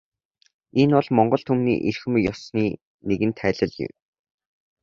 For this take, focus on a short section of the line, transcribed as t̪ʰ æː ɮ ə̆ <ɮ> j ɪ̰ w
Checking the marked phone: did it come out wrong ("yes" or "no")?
no